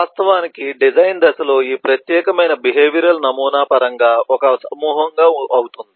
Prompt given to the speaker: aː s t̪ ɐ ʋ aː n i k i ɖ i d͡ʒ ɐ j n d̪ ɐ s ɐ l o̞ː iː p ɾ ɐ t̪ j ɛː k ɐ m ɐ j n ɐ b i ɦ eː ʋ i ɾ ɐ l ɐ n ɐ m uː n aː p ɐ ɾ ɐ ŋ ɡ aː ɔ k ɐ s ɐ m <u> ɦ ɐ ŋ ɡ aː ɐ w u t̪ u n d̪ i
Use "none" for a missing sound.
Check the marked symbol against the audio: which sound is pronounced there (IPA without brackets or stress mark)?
uː